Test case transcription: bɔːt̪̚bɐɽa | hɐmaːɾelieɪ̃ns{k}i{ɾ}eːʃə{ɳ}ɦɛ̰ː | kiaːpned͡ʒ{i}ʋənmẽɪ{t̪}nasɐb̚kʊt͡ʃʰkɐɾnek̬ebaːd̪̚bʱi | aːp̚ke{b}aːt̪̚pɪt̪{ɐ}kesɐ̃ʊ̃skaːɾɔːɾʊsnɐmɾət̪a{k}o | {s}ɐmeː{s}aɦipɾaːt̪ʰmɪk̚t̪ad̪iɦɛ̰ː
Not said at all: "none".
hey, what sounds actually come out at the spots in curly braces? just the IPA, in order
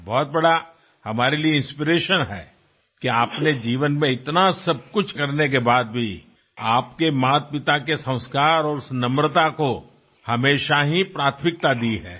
p, ɾ, n, iː, t̪, m, a, k, h, ʃ

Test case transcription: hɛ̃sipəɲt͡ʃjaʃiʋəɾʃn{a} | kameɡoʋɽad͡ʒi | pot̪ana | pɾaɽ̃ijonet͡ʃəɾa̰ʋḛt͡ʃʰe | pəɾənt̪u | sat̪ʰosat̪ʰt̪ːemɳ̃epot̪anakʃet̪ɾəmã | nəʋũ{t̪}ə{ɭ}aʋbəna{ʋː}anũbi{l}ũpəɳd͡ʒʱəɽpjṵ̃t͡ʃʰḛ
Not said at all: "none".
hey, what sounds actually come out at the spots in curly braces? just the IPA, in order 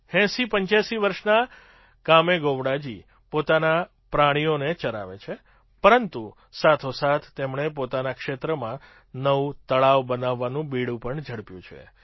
a, t̪, ɭ, ʋː, ɽ

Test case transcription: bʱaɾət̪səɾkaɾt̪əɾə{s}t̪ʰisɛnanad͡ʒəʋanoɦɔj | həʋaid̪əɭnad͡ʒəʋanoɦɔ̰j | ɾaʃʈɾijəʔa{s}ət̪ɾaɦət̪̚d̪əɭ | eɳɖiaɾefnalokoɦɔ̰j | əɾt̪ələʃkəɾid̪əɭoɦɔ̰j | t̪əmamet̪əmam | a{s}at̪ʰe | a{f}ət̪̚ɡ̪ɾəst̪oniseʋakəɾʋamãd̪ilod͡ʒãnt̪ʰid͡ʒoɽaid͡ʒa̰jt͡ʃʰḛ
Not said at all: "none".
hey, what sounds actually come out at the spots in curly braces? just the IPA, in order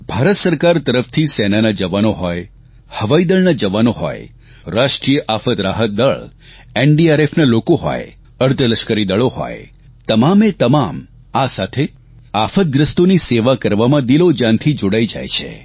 f, f, s, f

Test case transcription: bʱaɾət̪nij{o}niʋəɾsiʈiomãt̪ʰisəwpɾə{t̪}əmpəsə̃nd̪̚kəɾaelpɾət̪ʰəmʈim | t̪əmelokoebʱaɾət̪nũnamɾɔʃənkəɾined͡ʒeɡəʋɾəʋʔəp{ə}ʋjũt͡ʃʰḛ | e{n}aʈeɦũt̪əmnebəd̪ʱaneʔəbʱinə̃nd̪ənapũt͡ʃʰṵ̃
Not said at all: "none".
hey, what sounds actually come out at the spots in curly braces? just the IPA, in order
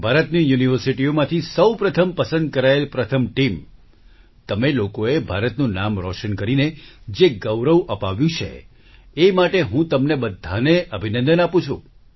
u, t̪ʰ, a, m

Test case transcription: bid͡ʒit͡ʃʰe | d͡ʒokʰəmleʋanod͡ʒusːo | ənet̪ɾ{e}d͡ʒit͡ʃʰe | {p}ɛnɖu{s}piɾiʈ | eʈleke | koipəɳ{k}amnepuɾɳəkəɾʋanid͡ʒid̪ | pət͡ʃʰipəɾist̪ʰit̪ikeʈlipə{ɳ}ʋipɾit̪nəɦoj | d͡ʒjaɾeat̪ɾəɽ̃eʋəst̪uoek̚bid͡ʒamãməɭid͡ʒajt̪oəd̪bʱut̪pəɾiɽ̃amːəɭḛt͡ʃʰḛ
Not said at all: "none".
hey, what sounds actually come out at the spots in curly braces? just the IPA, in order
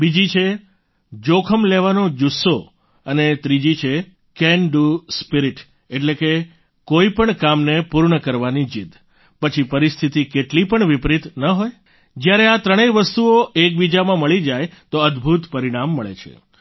i, k, s, k, ɳ

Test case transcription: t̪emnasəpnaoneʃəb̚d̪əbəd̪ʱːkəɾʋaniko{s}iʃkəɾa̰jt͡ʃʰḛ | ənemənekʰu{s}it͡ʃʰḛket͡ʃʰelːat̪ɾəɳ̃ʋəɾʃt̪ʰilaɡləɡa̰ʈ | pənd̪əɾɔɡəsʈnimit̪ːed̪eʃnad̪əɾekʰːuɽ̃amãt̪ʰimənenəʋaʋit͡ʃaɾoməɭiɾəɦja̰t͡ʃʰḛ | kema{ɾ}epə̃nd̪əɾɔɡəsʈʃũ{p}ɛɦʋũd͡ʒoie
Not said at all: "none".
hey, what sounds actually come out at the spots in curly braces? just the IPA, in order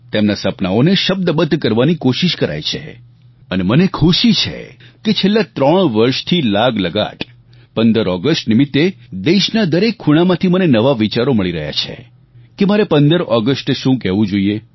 ʃ, ʃ, ɾ, k

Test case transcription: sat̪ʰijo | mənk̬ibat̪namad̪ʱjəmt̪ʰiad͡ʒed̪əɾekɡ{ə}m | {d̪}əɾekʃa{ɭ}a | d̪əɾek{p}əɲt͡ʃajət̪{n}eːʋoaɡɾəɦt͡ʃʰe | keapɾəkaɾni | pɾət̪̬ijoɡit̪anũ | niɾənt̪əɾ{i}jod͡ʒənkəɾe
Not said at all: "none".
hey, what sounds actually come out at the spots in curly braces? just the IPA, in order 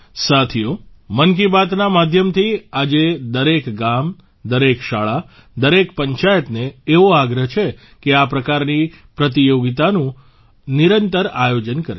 a, d̪, ɭ, p, n, a

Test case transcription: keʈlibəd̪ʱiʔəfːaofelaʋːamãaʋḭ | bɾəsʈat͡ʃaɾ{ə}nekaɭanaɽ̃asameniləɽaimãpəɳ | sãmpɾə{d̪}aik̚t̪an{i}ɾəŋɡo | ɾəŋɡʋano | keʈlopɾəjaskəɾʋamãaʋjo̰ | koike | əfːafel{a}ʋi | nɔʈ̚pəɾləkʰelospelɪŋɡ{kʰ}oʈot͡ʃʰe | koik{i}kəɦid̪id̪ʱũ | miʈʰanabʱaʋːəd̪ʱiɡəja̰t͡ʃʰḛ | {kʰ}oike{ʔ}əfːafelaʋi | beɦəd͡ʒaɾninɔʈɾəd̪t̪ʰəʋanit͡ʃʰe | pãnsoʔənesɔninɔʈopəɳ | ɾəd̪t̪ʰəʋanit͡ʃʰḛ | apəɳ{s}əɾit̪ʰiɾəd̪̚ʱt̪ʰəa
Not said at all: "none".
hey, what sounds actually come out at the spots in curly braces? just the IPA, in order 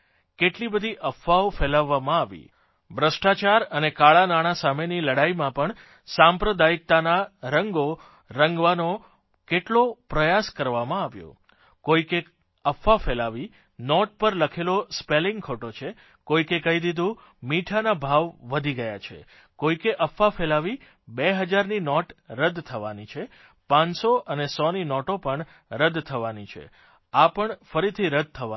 ə, d̪, a, a, kʰ, e, k, ʔ, f

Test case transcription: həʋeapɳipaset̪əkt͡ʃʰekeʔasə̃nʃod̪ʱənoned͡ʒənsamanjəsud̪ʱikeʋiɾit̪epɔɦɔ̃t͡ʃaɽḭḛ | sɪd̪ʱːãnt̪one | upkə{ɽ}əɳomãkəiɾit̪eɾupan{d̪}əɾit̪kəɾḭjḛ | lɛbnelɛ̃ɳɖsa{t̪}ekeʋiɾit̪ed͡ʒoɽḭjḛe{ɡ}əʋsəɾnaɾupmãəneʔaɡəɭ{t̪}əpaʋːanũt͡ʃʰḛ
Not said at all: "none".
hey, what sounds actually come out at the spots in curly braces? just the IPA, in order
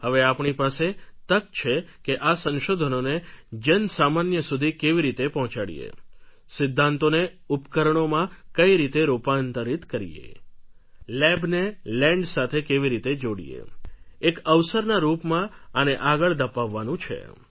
ɾ, t̪, t̪ʰ, k, d̪

